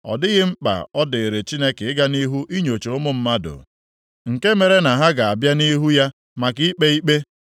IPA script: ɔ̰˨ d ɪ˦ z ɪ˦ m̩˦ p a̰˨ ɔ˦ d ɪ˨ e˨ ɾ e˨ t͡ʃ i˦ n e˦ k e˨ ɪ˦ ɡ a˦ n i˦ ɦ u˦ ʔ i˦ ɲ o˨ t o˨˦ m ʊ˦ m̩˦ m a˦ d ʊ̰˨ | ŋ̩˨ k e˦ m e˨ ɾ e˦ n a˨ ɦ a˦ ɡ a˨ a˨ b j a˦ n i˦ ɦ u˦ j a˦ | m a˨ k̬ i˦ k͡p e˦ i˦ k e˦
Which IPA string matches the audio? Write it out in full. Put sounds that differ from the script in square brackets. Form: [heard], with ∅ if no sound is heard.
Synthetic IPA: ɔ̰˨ d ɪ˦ [ɣ] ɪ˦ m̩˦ [k͡p] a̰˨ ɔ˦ d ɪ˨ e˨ ɾ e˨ t͡ʃ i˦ n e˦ k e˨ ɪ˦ ɡ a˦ n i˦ ɦ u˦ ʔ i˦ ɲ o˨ [t͡ʃ] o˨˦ m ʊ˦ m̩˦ m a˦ d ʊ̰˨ | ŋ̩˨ k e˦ m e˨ ɾ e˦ n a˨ ɦ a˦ ɡ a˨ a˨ b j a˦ n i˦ ɦ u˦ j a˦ | m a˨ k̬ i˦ k͡p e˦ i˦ [k͡p] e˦

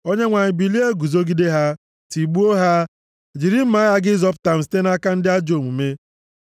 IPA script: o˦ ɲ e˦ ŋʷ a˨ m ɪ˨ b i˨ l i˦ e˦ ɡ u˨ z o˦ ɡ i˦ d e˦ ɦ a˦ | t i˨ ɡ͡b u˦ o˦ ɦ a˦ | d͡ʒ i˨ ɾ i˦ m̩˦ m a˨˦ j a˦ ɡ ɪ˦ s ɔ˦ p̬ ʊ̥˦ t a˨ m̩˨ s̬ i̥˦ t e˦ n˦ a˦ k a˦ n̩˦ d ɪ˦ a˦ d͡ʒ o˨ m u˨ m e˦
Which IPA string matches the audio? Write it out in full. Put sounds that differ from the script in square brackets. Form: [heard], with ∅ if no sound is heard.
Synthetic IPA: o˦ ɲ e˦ ŋʷ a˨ [ɲ] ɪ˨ b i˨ l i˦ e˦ ɡ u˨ z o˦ ɡ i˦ d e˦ ɦ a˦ | t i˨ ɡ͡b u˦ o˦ ɦ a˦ | d͡ʒ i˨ ɾ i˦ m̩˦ m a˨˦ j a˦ ɡ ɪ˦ [z] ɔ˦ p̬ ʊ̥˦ t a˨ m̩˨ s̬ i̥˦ t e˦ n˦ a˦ k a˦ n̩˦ d ɪ˦ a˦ d͡ʒ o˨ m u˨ m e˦

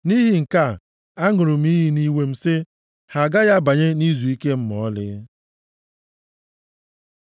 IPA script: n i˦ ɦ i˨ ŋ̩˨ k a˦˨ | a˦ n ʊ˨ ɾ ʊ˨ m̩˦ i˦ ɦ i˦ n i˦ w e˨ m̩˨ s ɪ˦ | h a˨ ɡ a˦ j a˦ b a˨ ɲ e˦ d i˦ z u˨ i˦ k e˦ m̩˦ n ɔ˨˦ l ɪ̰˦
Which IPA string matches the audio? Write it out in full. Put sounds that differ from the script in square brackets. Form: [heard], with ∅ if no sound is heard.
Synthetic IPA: n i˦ ɦ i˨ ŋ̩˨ k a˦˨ | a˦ [ŋ] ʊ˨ ɾ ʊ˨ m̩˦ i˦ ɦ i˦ n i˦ w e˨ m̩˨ s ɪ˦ | h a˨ ɡ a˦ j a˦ b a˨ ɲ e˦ [n] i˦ z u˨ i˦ k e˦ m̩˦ [m] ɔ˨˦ l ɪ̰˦

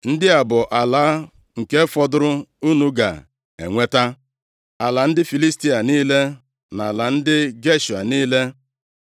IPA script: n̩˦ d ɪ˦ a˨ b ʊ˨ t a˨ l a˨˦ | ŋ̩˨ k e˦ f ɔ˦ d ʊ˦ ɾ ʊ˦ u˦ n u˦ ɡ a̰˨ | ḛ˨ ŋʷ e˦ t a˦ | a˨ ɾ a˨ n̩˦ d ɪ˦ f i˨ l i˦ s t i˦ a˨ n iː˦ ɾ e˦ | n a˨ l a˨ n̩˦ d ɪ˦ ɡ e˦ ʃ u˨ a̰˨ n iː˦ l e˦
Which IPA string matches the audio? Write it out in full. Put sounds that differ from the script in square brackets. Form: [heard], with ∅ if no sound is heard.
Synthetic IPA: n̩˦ d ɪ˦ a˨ b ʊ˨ [ʔ] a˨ l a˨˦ | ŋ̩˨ k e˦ f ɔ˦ d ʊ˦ ɾ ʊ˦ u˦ n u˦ ɡ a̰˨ | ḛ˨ ŋʷ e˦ t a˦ | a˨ [l] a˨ n̩˦ d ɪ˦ f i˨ l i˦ s t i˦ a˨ n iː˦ [l] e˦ | n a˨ l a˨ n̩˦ d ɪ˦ ɡ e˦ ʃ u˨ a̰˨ n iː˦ l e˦

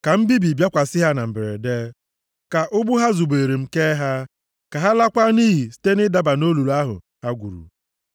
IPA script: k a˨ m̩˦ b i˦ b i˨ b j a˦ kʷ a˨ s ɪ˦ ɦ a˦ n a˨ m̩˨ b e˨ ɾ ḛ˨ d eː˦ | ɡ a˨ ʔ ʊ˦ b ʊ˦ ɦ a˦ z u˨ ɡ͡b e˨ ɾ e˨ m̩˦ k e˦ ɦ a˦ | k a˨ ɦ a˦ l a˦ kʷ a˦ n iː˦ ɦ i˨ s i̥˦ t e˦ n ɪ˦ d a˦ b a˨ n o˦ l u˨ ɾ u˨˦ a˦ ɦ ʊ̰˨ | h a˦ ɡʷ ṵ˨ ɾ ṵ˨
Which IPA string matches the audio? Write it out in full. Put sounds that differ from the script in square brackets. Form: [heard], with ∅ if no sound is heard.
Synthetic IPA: k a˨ m̩˦ b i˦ b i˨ b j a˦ kʷ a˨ s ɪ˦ ɦ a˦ n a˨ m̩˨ b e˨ ɾ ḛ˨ d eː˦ | [k] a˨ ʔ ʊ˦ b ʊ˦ ɦ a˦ z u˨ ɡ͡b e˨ ɾ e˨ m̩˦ k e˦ ɦ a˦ | k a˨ ɦ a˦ l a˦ kʷ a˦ n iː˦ ɦ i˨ s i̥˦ t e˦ n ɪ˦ d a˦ b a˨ n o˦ l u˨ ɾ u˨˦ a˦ ɦ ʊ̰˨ | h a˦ ɡʷ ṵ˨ ɾ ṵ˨

